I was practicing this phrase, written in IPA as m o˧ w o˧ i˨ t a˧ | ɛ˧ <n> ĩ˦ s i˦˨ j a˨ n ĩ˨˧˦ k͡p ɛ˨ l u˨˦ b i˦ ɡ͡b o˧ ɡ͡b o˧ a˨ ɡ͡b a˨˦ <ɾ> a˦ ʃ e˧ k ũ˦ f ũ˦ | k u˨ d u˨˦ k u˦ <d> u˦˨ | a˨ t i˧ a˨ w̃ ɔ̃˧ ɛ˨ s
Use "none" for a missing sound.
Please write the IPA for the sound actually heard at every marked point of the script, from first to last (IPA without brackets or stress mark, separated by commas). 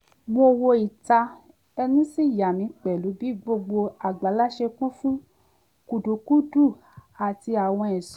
n, l, d